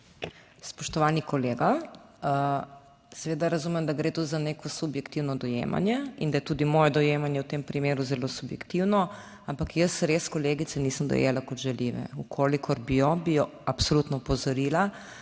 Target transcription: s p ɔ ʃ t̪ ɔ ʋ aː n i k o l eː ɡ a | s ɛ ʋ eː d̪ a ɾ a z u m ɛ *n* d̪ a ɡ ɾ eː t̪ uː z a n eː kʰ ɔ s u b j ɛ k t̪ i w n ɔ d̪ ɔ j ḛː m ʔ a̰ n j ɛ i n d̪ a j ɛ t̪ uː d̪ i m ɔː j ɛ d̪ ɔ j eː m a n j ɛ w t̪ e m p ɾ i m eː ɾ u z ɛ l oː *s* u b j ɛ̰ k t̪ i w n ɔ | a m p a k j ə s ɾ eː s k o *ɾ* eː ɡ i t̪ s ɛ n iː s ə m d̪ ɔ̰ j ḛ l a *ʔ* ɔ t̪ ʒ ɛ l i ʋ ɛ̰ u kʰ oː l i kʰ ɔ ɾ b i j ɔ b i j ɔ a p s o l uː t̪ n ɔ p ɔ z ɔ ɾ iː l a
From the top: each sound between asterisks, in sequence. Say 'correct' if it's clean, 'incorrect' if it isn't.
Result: incorrect: m, correct, incorrect: l, incorrect: k

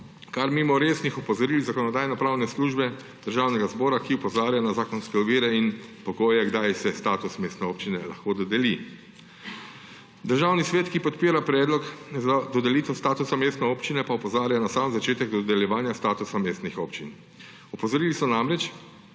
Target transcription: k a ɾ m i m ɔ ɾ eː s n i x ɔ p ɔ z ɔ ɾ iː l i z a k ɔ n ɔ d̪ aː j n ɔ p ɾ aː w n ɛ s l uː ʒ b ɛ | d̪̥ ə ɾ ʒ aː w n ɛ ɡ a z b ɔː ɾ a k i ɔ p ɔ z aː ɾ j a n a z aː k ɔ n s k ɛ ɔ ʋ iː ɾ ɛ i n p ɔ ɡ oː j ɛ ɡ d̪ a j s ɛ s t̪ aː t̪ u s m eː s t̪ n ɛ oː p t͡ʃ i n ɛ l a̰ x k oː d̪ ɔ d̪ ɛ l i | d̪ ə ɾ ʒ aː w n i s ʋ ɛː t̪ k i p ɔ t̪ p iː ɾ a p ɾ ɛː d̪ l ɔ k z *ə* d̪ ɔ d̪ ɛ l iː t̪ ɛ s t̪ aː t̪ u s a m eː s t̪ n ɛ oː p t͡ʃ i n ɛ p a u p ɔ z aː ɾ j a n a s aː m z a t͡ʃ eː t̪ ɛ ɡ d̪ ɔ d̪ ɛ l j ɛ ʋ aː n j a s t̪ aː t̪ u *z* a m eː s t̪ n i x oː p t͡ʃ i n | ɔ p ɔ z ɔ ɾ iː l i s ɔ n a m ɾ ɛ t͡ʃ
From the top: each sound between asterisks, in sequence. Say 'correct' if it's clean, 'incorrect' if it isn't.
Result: incorrect: a, incorrect: s

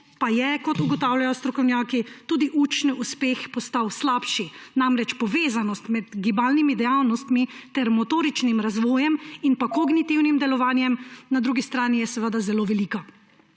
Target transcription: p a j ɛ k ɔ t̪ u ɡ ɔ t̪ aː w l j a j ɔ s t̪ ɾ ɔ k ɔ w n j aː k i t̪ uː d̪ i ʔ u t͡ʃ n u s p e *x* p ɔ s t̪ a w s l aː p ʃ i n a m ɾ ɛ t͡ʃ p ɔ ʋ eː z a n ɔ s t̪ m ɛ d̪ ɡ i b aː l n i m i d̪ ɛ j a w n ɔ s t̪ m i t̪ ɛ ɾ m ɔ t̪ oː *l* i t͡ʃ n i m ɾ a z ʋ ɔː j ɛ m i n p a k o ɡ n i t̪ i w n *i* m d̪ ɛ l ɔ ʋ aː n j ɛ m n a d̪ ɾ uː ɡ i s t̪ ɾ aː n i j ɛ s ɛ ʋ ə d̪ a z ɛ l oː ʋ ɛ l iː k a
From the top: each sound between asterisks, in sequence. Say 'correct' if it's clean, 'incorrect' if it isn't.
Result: correct, incorrect: ɾ, correct

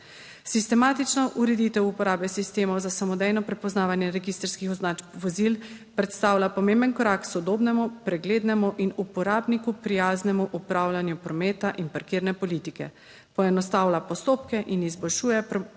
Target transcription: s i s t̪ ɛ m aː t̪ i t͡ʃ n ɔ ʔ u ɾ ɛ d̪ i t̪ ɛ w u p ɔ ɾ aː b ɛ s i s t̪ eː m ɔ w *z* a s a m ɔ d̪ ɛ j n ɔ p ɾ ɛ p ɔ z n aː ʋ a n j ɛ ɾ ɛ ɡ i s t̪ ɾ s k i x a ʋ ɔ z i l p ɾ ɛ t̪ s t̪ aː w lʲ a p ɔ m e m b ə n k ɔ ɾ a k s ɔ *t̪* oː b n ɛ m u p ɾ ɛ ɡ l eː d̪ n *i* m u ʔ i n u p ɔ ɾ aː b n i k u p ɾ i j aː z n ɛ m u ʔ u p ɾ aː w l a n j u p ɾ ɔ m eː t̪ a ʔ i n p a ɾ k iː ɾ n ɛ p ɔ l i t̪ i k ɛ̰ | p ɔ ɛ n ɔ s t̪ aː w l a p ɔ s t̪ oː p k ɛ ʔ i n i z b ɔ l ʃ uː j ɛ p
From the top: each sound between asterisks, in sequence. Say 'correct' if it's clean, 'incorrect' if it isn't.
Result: correct, incorrect: d̪, incorrect: ɛ

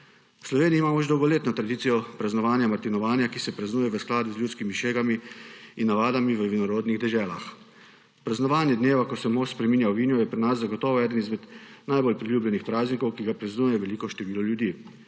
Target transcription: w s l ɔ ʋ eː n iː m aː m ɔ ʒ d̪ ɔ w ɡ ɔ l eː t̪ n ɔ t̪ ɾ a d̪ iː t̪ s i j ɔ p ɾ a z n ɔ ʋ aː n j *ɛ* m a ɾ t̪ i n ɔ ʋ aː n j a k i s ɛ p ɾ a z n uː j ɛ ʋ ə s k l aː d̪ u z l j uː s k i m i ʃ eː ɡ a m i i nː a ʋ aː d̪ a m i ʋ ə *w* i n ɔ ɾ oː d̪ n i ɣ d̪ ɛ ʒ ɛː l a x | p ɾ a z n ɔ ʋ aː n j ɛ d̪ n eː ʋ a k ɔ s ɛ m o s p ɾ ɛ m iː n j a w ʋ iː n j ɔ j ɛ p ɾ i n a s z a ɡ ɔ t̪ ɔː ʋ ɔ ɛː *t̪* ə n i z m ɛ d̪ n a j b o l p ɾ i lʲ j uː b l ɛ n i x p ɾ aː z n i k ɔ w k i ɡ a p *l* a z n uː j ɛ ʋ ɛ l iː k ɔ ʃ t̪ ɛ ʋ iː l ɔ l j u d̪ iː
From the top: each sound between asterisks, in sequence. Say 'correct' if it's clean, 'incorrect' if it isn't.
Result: incorrect: a, incorrect: ʋ, incorrect: d̪, incorrect: ɾ

